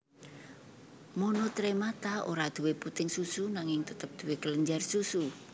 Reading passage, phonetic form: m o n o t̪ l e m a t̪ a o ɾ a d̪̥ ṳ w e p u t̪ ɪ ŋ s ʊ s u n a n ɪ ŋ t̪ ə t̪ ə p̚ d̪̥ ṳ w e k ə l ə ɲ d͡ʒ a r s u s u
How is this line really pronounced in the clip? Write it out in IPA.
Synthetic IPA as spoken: m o n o t̪ ɾ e m a t̪ a o ɾ a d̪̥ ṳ w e p u t̪ ɪ ŋ s u s u n a ŋ ɪ ŋ t̪ ə t̪ ə p̚ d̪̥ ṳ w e k ə l ə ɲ d͡ʒ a r s u s u